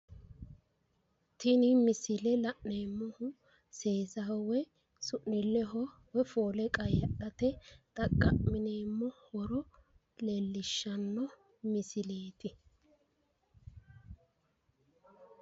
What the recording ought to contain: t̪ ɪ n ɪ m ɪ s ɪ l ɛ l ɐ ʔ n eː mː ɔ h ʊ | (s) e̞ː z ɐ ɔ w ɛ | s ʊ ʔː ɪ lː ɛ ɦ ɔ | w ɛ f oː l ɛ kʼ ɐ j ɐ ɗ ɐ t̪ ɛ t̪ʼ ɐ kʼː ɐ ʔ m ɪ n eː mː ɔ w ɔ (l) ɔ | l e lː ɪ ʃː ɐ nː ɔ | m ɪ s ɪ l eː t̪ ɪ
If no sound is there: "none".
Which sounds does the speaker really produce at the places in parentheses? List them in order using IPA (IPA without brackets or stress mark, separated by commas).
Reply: s, ɾ